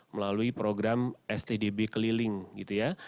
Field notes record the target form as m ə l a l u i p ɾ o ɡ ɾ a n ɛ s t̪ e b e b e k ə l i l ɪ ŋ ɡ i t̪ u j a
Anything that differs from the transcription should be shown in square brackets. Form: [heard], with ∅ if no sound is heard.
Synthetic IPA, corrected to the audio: m ə l a l u i p ɾ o ɡ ɾ a [m] ɛ s t̪ e [d] e b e k ə l i l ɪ ŋ ɡ i t̪ u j a